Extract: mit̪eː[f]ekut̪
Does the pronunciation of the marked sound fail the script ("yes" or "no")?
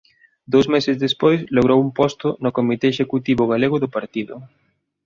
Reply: yes